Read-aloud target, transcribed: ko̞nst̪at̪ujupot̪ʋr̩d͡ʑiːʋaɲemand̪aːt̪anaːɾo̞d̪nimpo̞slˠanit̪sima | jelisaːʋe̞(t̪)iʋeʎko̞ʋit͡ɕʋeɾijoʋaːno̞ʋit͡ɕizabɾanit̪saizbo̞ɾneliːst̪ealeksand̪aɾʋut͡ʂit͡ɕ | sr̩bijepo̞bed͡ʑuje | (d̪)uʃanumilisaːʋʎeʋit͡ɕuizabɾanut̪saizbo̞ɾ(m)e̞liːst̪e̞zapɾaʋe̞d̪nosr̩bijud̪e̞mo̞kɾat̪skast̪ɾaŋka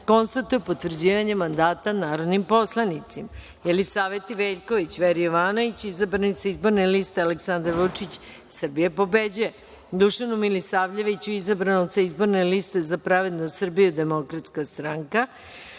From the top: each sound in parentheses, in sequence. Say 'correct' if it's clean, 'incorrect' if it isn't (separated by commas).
correct, correct, incorrect